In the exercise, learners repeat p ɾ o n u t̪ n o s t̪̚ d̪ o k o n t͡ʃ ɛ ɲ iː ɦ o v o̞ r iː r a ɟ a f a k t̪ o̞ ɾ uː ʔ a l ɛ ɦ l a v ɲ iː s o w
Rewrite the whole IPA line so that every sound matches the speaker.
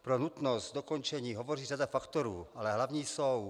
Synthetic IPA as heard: p ɾ o n u t̪ n o s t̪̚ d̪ o k o n t͡ʃ ɛ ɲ iː ɦ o v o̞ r iː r a d a f a k t̪ o̞ ɾ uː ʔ a l ɛ ɦ l a v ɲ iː s o w